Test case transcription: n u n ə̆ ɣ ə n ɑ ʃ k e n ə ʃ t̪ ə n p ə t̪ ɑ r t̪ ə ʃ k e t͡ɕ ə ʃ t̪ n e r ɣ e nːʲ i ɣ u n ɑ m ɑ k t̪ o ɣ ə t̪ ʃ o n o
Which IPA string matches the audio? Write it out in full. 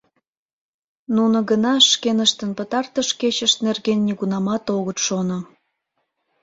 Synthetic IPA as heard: n u n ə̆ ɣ ə n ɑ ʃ k e n ə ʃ t̪ ə n p ə t̪ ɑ r t̪ ə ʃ k e t͡ɕ ə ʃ t̪ n e r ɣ e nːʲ i ɣ u n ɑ m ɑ t̪ o ɣ ə t̪ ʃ o n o

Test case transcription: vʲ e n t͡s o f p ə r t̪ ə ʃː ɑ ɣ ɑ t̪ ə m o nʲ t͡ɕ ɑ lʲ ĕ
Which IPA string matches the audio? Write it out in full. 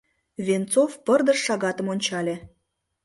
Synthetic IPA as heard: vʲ e n t͡s o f p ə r d̪ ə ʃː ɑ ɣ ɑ t̪ ə m o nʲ t͡ɕ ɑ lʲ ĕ

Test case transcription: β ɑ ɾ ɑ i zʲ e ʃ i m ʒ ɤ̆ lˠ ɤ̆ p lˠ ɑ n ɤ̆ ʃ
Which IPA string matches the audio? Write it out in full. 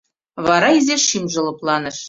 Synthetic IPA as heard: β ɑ ɾ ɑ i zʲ e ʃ i m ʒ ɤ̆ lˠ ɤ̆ p lˠ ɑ n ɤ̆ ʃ

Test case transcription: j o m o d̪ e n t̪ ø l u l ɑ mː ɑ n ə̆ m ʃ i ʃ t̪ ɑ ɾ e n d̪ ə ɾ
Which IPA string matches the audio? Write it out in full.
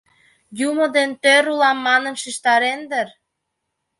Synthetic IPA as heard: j u m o d̪ e n t̪ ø ɾ u l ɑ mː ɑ n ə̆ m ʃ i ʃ t̪ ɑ ɾ e n d̪ ə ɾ

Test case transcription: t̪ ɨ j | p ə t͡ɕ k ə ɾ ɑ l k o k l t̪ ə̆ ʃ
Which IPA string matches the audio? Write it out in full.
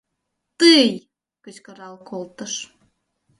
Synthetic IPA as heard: t̪ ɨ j | k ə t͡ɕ k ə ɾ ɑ l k o l t̪ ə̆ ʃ

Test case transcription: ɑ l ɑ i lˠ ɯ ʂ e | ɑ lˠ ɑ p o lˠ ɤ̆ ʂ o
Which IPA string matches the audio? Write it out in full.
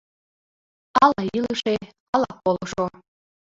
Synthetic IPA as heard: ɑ l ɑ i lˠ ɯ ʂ e | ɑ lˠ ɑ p o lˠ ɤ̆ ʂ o

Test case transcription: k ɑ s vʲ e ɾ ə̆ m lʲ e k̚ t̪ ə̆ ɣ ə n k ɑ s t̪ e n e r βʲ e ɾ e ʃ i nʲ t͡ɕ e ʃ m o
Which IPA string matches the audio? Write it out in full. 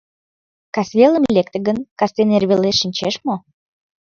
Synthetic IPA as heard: k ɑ s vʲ e l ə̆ m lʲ e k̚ t̪ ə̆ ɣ ə n k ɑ s t̪ e n e r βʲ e l e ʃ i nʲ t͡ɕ e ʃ m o

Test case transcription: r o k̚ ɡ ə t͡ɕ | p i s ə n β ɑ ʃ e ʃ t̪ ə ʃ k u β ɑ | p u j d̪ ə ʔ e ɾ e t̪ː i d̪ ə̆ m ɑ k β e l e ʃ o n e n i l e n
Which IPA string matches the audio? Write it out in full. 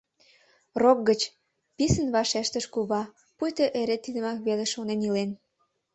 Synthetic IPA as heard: r o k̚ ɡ ə t͡ɕ | p i s ə n β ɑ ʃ e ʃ t̪ ə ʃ k u β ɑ | p u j t̪ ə ʔ e ɾ e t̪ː i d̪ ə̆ m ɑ k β e l e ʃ o n e n i l e n

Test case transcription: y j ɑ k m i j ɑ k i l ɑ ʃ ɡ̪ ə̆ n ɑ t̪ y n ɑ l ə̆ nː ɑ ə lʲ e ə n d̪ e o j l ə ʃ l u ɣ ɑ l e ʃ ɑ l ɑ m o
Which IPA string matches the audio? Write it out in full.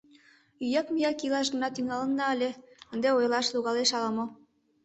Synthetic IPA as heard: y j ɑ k m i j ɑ k i l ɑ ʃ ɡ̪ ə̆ n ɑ t̪ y ŋ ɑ l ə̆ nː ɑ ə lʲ e ə n d̪ e o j l ɑ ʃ l u ɣ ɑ l e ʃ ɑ l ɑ m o

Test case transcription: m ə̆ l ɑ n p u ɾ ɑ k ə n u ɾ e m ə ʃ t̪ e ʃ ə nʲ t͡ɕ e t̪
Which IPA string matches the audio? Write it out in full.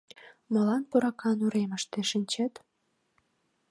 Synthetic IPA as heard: m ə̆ l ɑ n p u ɾ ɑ k ɑ n u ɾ e m ə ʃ t̪ e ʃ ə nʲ t͡ɕ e t̪

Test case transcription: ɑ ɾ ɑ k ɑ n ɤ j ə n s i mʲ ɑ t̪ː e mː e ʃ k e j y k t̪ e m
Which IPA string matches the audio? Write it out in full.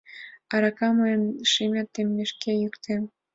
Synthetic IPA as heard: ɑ ɾ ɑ k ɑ m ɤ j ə n ʃ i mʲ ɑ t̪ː e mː e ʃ k e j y k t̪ e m

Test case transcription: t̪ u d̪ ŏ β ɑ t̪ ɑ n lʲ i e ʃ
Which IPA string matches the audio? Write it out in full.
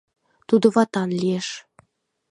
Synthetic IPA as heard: t̪ u d̪ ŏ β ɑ t̪ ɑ n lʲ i e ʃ

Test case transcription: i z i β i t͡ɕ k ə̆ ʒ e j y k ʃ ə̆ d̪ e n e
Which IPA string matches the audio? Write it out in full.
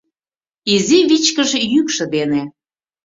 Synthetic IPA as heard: i z i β i t͡ɕ k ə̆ ʒ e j y k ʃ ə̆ d̪ e n e

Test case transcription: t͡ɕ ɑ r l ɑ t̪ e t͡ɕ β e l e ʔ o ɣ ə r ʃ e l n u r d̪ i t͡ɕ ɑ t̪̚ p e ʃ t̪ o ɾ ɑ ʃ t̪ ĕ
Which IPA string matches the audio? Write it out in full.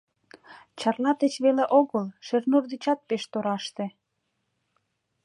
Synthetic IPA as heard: t͡ɕ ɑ r l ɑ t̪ e t͡ɕ β e l e ʔ o ɣ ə l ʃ e r n u r d̪ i t͡ɕ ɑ t̪̚ p e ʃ t̪ o ɾ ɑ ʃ t̪ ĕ

